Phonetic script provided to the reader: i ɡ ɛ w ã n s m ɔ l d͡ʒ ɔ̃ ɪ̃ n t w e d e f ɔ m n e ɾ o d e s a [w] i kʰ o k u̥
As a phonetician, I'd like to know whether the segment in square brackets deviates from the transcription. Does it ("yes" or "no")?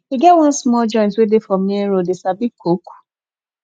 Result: yes